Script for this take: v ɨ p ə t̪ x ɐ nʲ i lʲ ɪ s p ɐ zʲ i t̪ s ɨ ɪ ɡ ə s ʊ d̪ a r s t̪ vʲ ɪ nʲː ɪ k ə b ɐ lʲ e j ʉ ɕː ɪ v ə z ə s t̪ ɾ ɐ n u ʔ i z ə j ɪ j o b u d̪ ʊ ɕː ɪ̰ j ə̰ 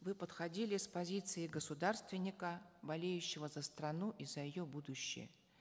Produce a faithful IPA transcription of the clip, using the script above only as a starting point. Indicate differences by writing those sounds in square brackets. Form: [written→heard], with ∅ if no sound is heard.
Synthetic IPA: v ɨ p ə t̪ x ɐ [nʲ→dʲ] i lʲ ɪ s p ɐ zʲ i t̪ s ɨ ɪ ɡ ə s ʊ d̪ a r s t̪ vʲ ɪ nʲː ɪ k ə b ɐ lʲ e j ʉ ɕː ɪ v ə z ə s t̪ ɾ ɐ n u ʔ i z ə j ɪ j o b u d̪ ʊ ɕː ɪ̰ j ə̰